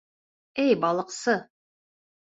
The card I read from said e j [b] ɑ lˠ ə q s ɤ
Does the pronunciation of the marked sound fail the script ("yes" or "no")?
no